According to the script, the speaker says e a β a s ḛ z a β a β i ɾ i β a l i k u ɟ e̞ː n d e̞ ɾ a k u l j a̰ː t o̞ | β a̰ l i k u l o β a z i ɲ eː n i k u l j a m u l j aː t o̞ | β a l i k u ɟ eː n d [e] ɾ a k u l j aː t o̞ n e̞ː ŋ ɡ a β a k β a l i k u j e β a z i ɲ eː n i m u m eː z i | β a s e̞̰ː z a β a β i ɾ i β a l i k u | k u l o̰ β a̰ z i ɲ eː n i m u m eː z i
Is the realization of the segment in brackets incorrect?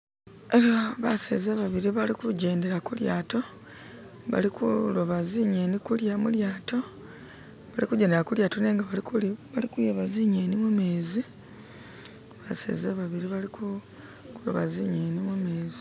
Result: no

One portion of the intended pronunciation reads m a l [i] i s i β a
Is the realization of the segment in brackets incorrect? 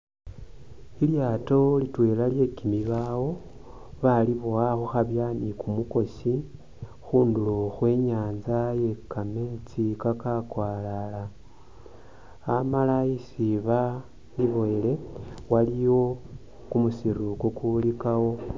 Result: yes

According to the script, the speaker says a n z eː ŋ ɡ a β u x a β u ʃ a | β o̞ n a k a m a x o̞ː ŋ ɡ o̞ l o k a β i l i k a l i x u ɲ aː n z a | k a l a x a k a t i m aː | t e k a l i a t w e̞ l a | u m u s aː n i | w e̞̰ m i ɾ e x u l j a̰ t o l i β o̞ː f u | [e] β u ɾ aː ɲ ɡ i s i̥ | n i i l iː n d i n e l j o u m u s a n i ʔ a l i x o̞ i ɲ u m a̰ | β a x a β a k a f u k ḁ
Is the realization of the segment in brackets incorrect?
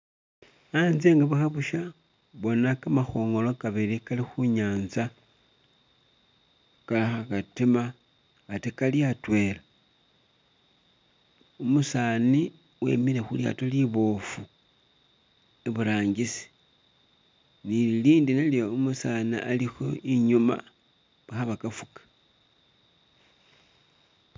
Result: no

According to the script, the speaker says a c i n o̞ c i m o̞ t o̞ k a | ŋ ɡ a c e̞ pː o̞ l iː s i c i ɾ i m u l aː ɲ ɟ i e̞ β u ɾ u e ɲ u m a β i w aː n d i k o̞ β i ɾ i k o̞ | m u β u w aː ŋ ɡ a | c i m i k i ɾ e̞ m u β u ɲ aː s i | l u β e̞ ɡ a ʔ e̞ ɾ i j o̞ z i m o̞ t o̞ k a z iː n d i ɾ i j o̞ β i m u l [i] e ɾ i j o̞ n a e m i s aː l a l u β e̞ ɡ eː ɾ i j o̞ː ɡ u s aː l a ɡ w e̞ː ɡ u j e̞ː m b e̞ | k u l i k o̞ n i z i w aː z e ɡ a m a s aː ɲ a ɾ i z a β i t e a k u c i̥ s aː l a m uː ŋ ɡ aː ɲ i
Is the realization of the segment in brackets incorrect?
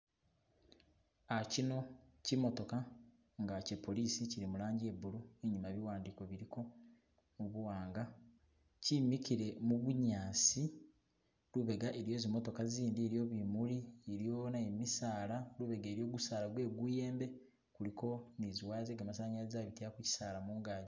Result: no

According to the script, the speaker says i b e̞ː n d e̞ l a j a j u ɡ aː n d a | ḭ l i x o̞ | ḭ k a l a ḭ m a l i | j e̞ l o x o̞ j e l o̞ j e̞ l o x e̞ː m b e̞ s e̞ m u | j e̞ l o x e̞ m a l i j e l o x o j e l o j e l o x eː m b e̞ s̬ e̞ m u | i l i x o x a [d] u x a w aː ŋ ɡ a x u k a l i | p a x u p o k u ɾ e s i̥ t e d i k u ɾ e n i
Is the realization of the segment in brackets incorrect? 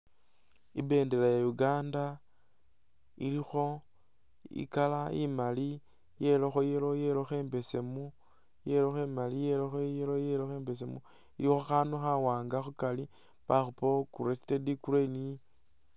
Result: yes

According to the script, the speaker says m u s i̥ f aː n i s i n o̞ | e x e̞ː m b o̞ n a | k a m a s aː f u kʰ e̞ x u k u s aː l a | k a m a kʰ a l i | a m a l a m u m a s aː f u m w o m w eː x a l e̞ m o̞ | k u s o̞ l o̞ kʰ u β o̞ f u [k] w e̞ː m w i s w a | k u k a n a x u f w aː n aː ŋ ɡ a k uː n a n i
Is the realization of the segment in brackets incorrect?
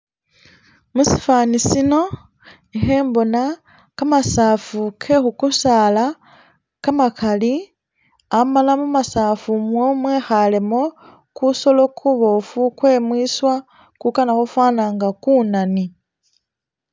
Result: no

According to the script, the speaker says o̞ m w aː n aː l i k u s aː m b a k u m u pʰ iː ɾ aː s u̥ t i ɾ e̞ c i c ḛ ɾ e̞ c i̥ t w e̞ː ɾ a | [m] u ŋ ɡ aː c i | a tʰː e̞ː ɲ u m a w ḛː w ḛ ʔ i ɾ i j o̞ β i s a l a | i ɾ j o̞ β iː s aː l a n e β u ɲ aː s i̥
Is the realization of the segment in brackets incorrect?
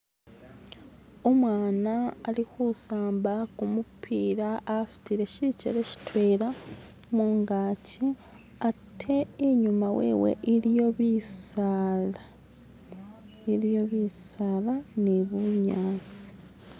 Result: no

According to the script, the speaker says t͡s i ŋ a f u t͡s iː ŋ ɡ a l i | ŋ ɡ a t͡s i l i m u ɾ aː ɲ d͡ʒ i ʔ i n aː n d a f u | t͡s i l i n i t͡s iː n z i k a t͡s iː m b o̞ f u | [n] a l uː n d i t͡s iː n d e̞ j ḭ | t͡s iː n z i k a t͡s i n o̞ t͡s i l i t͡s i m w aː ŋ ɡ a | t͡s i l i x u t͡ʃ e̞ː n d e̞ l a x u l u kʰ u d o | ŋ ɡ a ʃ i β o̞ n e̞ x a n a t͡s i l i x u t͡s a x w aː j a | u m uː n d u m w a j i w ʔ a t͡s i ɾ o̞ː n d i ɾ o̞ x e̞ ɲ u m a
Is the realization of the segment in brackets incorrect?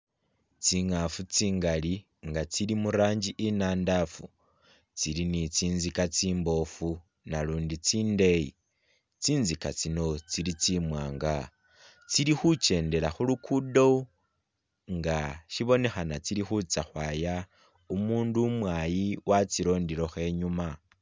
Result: no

